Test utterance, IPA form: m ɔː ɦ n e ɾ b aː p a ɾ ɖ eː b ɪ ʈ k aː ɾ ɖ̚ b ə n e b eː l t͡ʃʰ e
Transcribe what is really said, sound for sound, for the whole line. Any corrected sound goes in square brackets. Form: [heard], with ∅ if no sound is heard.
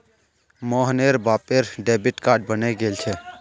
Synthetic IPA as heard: m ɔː ɦ n e ɾ b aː p [e] ɾ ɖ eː b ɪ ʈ k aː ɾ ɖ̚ b ə n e [ɡ] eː l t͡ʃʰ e